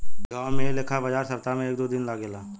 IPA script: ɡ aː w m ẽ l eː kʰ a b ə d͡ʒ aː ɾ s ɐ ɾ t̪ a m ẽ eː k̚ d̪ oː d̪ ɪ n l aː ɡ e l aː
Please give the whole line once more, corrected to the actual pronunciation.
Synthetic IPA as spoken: ɡ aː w m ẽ l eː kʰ a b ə d͡ʒ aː ɾ s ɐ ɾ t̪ a m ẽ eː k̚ d̪ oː d̪ ɪ n l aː ɡ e l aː

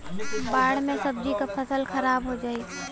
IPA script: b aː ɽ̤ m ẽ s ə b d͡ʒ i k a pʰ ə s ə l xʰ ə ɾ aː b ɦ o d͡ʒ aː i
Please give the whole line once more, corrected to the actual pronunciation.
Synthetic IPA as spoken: b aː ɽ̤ m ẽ s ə b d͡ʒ i k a pʰ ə s ə l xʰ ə ɾ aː b ɦ o d͡ʒ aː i

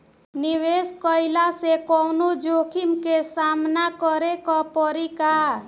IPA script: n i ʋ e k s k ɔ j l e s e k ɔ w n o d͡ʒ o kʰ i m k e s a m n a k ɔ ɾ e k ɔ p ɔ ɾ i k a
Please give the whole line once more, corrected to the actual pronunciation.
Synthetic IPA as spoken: n i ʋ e s k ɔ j l a s e k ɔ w n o d͡ʒ o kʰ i m k e s a m n a k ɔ ɾ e k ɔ p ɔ ɾ i k a

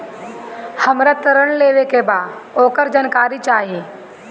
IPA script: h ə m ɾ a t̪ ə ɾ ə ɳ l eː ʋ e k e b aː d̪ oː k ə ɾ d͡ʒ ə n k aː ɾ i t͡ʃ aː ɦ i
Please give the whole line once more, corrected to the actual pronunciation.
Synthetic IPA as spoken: h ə m ɾ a t̪ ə ɾ ə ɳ l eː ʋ e k e b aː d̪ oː k ə ɾ d͡ʒ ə n k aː ɾ i t͡ʃ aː ɦ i

